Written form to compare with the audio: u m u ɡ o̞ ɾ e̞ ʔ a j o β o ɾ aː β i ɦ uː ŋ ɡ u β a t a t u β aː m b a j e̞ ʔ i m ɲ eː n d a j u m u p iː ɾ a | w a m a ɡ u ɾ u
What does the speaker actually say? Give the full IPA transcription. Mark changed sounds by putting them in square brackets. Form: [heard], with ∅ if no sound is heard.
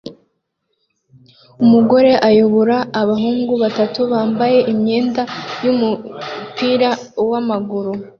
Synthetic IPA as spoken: u m u ɡ o̞ ɾ e̞ ʔ a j o β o ɾ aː β [a] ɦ uː ŋ ɡ u β a t a t u β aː m b a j e̞ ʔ i m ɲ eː n d a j u m u p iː ɾ a | w a m a ɡ u ɾ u